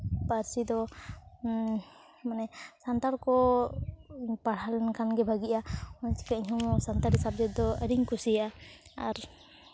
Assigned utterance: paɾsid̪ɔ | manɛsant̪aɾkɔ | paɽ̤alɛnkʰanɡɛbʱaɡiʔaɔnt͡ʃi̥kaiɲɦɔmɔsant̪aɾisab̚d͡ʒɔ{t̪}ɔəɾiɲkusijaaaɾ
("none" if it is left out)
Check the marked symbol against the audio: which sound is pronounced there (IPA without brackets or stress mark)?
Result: d̪